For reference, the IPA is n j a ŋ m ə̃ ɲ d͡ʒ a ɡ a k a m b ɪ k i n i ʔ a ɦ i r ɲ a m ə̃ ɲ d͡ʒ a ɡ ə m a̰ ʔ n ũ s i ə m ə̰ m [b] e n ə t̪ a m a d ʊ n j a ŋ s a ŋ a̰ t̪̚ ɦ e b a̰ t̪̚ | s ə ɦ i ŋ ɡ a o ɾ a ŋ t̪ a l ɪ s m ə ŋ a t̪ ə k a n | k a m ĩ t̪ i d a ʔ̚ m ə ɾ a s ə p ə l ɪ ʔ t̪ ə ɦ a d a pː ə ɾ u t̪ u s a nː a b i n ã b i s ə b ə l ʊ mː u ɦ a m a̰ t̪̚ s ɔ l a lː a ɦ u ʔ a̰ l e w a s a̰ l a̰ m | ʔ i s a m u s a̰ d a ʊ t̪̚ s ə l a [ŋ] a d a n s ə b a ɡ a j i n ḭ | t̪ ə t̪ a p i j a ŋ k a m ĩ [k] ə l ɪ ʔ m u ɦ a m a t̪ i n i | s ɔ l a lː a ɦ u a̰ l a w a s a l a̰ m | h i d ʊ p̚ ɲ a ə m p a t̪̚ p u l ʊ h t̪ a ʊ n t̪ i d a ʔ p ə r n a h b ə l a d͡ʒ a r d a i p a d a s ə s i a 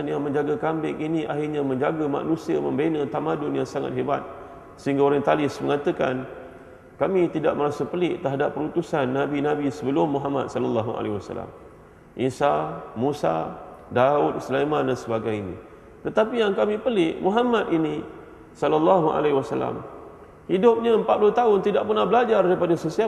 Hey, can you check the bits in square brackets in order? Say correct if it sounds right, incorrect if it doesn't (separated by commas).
correct, incorrect, incorrect